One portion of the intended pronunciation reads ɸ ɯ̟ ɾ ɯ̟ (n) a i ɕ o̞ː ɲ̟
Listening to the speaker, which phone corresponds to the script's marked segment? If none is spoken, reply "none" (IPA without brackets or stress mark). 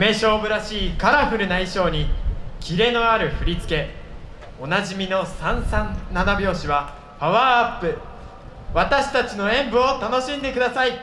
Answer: n